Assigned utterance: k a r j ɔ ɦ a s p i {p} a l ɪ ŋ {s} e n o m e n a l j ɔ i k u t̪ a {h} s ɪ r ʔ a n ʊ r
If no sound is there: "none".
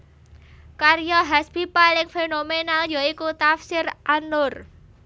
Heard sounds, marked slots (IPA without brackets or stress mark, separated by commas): p, f, f